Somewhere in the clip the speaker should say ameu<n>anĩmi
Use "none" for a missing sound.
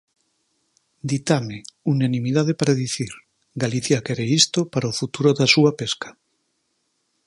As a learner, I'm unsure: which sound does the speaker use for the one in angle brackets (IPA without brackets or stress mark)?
n